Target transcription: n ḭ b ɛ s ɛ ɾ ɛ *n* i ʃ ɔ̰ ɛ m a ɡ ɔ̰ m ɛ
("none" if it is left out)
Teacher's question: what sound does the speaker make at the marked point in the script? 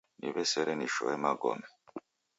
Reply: n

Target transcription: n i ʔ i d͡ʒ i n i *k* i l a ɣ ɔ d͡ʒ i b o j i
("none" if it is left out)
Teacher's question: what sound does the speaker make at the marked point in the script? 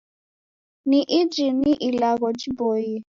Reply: ʔ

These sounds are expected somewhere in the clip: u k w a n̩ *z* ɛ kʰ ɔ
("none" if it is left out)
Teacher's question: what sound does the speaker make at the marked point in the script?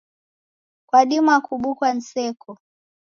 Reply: s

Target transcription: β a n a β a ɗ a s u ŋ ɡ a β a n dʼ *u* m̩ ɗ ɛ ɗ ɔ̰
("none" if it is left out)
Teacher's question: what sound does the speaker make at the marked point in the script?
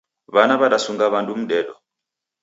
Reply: u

